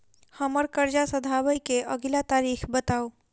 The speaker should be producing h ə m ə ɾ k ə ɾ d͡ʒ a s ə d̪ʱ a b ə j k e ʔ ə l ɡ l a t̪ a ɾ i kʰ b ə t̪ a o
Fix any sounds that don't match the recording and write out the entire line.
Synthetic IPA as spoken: h ə m ə ɾ k ə ɾ d͡ʒ a s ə d̪ʱ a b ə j k e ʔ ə ɡ l a t̪ a ɾ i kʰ b ə t̪ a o